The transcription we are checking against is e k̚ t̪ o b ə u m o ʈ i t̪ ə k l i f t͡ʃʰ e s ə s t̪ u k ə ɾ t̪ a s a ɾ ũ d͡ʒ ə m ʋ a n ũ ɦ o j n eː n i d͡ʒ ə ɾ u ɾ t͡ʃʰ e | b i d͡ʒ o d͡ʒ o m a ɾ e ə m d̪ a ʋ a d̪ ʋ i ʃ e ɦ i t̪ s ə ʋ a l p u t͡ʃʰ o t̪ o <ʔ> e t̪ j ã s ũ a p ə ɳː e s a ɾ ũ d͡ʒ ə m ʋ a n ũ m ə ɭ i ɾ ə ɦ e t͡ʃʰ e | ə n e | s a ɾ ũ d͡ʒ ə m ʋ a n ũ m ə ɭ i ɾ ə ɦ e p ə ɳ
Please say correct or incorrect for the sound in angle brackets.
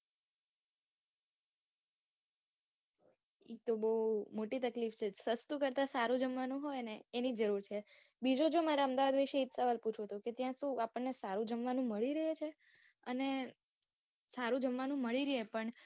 incorrect